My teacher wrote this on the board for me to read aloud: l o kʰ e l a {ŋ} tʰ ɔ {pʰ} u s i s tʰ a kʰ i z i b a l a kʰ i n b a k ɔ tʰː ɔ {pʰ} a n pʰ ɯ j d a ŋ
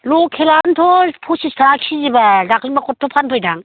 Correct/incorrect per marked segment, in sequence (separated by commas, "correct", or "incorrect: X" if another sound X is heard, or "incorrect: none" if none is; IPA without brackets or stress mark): incorrect: n, correct, correct